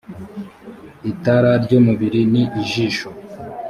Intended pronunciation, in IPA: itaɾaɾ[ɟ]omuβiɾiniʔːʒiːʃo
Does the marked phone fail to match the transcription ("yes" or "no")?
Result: no